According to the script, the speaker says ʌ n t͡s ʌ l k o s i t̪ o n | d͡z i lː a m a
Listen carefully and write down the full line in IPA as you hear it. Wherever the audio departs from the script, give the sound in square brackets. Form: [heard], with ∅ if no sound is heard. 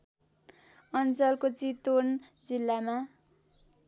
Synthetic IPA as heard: ʌ n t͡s ʌ l k o [t͡s] i t̪ o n | d͡z i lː a m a